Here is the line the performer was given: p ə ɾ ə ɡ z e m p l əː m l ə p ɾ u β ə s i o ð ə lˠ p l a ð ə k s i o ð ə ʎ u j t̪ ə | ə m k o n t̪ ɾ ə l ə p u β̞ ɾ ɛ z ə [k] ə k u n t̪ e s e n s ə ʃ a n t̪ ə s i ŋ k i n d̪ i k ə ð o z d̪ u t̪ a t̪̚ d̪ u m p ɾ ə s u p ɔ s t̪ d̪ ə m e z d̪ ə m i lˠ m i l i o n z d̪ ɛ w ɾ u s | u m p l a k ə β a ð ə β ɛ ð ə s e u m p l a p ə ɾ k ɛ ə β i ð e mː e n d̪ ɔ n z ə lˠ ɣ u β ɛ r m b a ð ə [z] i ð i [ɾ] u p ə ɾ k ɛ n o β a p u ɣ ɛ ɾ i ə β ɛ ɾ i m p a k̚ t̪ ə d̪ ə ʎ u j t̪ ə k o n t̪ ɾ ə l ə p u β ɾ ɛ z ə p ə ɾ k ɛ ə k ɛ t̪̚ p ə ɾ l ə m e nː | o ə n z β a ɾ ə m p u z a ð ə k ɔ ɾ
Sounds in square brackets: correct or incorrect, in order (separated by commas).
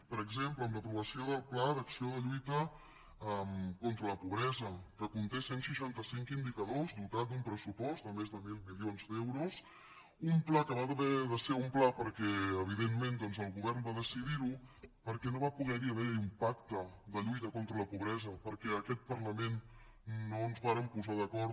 correct, incorrect, correct